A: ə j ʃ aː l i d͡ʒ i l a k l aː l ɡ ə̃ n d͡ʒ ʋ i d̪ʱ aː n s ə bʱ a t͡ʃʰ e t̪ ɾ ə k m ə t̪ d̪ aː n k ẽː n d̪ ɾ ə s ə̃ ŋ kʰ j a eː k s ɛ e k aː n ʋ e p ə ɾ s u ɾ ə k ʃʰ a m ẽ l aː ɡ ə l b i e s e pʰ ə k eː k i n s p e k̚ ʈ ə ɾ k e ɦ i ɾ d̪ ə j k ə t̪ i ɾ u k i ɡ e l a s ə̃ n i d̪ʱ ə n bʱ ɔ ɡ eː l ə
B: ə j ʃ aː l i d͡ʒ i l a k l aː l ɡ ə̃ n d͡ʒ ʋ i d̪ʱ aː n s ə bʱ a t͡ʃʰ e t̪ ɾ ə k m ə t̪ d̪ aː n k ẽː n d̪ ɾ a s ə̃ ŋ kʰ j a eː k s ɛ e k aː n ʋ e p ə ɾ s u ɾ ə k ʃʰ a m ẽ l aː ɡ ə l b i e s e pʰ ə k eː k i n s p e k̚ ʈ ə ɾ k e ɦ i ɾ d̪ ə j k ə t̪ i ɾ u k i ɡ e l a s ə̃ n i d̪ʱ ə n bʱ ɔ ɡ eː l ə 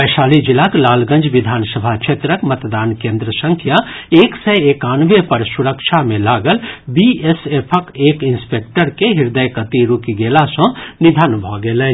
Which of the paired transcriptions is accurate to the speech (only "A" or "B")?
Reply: A